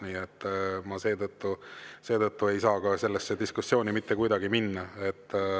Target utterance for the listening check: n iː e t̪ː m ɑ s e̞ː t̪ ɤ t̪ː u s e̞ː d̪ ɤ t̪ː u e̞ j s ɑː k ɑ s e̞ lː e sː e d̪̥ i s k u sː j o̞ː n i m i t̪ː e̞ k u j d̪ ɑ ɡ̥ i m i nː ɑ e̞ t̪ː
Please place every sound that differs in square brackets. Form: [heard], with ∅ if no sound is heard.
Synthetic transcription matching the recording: n iː e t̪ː m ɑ s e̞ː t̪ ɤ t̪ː u s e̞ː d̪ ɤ t̪ː u e̞ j s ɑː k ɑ s e̞ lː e sː e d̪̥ i s k u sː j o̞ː n i m i t̪ː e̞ k u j d̪ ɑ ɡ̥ i m i nː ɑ e̞ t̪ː